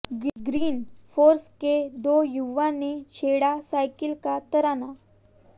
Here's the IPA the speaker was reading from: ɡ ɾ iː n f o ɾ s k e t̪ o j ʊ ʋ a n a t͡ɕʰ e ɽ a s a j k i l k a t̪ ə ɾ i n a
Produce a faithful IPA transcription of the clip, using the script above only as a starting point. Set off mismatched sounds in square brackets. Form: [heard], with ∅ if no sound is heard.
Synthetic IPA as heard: ɡ ɾ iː n f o ɾ s k e [d̪] o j [u] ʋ a n [e] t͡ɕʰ e ɽ a s a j k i l k a t̪ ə ɾ [a] n a